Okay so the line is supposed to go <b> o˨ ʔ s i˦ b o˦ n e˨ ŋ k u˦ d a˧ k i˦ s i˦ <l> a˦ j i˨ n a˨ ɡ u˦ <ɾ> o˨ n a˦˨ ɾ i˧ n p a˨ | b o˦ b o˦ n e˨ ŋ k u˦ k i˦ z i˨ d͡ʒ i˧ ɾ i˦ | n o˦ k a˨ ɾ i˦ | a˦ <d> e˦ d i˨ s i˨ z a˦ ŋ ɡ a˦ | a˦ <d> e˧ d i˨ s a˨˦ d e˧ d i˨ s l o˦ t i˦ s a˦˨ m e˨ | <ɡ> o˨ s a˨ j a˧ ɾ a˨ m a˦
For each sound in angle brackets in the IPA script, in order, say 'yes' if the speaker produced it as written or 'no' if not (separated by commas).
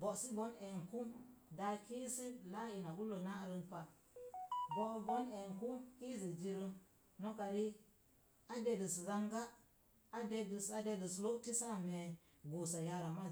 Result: yes, yes, no, yes, yes, yes